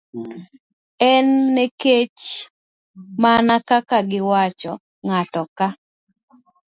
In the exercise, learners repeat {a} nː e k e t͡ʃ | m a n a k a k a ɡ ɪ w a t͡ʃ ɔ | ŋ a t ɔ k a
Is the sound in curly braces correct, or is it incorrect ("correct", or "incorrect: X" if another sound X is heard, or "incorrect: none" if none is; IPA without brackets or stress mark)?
incorrect: ɛ